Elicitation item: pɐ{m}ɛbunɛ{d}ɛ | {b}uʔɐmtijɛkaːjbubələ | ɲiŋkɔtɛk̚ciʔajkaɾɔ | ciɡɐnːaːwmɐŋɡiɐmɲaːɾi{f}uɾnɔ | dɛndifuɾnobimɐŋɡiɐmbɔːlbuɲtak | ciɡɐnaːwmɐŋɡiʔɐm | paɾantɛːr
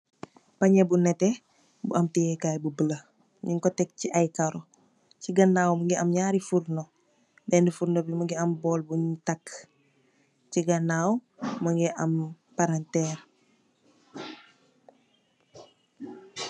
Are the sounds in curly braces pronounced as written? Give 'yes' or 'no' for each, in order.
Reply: no, no, yes, yes

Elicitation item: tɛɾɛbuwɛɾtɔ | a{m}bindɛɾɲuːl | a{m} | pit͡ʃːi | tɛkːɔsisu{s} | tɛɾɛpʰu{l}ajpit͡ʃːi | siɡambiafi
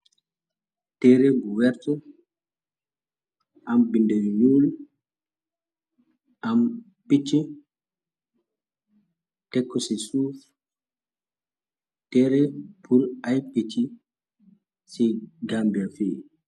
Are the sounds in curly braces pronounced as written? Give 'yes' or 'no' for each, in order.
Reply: yes, yes, no, no

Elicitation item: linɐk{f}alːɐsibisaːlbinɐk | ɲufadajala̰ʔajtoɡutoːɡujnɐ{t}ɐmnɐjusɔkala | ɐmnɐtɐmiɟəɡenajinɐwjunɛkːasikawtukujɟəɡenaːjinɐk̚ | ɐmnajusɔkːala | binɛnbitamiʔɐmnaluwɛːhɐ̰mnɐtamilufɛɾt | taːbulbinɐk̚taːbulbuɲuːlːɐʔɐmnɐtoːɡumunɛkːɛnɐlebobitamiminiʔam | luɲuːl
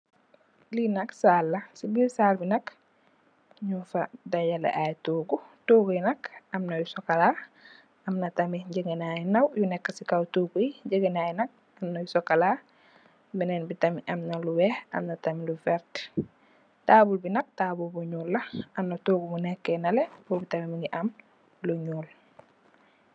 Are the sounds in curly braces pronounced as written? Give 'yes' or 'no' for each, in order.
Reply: no, no

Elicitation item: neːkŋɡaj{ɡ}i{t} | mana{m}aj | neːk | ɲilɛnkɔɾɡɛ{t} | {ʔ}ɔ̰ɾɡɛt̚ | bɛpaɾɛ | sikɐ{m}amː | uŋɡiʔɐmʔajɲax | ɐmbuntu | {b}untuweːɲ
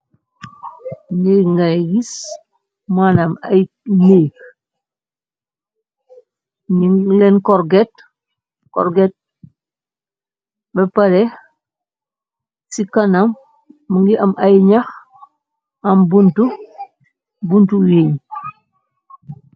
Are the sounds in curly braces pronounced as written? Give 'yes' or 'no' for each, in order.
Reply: yes, no, yes, yes, no, no, yes

